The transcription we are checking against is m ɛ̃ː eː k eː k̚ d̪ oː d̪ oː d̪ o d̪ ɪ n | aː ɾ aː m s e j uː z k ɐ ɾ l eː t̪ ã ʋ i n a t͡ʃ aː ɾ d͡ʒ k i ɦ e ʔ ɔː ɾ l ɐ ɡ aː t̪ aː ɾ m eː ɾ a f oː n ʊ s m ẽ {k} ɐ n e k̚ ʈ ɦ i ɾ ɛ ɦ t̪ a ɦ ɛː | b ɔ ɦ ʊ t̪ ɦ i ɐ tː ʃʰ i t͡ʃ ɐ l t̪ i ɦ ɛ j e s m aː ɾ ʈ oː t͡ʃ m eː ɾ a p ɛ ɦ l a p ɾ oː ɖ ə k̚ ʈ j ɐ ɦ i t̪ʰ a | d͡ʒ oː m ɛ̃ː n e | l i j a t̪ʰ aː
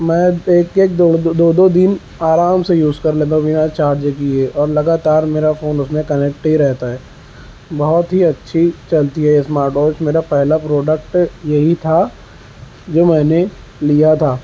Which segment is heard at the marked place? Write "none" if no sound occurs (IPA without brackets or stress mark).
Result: k